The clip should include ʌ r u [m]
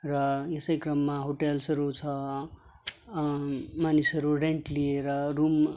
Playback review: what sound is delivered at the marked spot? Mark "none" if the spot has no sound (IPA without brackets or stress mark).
m